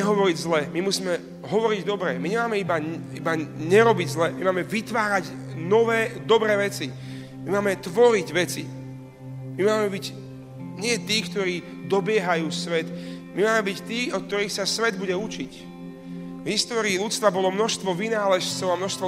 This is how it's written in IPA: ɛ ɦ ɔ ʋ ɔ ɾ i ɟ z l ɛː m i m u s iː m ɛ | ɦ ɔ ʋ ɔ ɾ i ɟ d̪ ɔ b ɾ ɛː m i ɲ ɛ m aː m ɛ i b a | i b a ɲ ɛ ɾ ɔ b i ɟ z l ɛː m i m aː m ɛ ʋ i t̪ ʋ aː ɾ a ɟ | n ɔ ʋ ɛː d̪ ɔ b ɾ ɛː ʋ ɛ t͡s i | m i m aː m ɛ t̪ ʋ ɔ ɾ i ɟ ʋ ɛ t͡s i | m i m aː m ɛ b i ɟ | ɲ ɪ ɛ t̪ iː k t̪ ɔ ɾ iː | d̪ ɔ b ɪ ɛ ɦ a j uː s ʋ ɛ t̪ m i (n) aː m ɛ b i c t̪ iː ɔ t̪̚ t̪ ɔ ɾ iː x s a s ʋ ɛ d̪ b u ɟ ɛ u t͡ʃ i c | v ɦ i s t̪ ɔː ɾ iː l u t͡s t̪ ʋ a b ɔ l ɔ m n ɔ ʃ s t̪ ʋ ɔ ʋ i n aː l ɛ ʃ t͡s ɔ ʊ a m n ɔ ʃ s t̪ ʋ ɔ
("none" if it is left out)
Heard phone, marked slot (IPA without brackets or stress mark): m